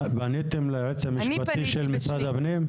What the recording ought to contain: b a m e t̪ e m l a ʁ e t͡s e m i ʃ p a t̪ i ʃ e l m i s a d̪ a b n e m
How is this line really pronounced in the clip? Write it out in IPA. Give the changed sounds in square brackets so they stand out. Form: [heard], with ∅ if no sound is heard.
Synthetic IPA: b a [n] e t̪ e m l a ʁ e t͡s [a] m i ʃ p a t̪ i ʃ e l m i s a d̪ a b n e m